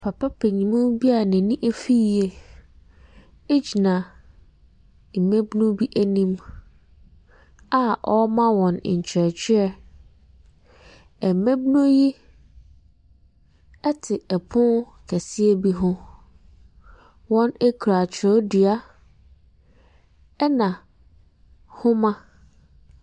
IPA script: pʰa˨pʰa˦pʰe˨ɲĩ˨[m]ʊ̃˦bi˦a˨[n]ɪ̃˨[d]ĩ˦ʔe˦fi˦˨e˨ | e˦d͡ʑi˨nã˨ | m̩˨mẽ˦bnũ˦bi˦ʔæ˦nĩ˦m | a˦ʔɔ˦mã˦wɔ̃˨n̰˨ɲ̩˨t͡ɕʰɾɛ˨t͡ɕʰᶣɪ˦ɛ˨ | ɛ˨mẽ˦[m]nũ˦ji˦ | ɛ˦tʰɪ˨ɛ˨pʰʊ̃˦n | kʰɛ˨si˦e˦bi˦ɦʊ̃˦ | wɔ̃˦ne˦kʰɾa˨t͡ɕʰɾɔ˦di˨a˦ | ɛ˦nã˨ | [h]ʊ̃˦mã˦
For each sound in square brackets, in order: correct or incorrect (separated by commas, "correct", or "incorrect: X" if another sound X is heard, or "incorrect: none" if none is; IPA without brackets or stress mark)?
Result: correct, correct, incorrect: n, incorrect: b, correct